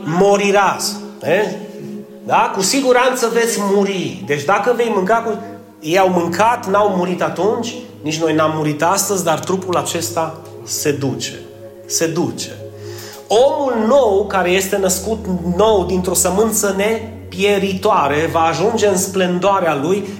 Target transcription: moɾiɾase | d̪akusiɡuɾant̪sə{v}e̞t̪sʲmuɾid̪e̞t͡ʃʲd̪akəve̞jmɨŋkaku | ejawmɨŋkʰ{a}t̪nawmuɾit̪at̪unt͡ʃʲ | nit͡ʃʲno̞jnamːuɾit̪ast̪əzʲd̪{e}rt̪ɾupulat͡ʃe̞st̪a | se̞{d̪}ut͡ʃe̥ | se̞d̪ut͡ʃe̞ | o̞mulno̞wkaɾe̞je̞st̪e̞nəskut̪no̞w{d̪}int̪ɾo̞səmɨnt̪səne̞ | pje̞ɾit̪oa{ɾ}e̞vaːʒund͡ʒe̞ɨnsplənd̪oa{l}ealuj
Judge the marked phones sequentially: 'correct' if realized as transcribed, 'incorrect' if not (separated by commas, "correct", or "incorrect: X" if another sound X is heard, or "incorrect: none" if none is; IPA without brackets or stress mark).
correct, correct, incorrect: a, correct, correct, correct, incorrect: ɾ